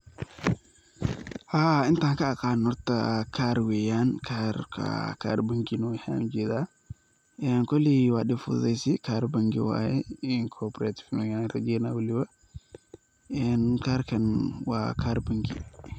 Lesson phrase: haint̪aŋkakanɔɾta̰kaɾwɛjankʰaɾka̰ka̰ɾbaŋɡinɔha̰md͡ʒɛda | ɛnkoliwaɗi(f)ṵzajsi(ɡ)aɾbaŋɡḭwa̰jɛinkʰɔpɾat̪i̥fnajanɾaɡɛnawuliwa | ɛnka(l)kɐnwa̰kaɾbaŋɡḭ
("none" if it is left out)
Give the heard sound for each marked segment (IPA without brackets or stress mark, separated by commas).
f, k, ɾ